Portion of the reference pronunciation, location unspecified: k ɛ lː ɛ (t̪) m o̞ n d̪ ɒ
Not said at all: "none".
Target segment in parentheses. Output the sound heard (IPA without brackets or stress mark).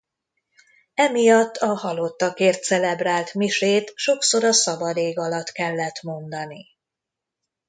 t̪